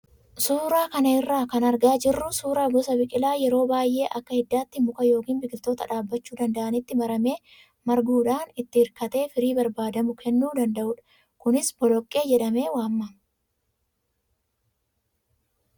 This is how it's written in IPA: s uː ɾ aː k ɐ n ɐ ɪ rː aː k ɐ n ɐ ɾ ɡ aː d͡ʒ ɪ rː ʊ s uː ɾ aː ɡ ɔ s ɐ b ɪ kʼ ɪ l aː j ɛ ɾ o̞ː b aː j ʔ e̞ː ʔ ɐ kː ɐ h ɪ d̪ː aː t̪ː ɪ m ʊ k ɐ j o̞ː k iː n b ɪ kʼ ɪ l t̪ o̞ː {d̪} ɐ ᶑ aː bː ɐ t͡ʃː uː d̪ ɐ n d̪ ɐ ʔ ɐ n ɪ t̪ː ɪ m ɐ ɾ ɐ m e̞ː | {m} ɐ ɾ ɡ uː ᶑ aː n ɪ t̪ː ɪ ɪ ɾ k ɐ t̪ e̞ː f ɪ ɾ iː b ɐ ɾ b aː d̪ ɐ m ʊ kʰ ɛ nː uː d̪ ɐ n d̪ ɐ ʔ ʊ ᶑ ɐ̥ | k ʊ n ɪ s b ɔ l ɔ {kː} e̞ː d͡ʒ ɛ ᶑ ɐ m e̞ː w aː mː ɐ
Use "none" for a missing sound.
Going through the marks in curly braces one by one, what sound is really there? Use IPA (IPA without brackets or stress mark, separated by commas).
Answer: t̪, m, kʼː